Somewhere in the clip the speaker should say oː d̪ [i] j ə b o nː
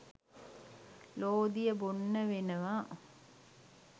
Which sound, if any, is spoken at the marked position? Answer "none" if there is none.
i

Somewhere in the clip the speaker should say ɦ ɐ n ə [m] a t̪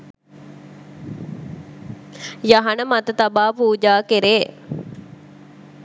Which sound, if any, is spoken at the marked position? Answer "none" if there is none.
m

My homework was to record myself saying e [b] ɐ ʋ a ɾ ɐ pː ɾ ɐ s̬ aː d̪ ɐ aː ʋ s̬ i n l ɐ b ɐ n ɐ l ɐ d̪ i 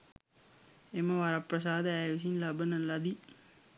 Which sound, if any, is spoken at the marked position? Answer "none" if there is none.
m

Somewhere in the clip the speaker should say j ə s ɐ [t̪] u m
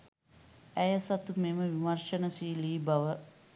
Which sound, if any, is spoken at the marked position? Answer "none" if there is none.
t̪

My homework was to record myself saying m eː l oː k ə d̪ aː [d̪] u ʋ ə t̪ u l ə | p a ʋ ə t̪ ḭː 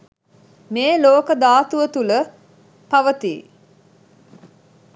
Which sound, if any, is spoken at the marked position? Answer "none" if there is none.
t̪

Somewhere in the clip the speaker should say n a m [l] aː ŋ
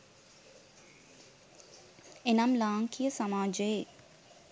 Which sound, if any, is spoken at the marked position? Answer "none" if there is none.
l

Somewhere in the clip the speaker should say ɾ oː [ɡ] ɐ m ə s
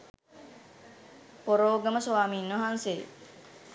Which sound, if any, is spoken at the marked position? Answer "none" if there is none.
ɡ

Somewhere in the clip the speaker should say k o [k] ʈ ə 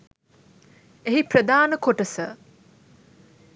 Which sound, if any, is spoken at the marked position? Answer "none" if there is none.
none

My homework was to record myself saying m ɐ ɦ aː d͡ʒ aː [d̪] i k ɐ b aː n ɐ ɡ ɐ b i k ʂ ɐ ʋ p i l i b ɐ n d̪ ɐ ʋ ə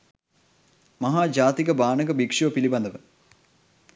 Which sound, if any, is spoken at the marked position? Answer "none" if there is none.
t̪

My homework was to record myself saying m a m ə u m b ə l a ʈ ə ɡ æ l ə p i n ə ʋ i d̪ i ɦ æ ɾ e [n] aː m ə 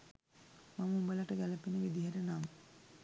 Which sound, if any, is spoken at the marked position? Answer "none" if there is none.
n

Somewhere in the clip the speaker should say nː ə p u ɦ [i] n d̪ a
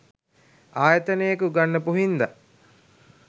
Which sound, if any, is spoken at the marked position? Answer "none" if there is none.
i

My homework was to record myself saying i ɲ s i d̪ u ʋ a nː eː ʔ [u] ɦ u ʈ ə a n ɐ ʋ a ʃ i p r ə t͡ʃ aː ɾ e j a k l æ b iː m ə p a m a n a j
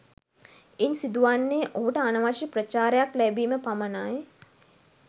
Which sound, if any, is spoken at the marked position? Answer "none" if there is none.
o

